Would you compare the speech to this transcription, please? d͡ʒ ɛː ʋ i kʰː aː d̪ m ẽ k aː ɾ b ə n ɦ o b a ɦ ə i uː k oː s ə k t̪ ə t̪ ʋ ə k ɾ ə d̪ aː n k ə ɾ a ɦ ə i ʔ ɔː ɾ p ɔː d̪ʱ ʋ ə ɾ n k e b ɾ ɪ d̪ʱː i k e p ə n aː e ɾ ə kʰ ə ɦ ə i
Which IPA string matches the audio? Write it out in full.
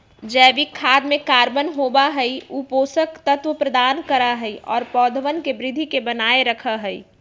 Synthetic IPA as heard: d͡ʒ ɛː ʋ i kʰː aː d̪ m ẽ k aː ɾ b ə n ɦ o b a ɦ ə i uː p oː s ə k t̪ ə t̪ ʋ ə p ɾ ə d̪ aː n k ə ɾ a ɦ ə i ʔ ɔː ɾ p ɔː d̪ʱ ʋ ə n k e b ɾ ɪ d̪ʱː i k e b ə n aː e ɾ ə kʰ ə ɦ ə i